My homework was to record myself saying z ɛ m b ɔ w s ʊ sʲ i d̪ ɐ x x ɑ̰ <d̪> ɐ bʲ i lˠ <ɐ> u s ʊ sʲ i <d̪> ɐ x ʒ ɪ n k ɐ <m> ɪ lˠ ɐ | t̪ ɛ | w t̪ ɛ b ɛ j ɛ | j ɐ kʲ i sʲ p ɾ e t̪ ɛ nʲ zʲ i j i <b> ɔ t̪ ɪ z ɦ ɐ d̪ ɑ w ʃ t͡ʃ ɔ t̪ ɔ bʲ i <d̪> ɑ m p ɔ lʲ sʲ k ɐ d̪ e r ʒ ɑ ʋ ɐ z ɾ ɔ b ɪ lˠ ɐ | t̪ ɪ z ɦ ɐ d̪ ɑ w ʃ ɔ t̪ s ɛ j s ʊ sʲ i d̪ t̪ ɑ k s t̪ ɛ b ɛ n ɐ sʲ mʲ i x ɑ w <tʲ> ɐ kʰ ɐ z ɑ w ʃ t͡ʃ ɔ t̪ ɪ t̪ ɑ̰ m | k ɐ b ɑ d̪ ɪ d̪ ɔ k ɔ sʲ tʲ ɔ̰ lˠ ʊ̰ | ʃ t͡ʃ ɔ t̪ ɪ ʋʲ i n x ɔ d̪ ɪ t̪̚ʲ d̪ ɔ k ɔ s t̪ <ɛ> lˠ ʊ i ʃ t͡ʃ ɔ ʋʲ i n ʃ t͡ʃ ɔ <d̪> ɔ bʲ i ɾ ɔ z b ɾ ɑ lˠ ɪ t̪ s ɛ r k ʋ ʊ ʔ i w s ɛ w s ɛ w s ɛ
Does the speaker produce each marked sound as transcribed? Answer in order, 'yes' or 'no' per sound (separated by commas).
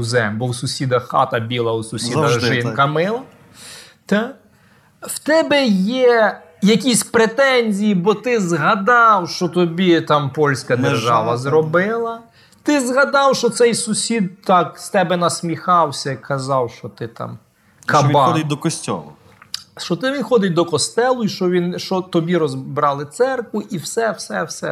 no, yes, yes, yes, yes, no, no, yes, no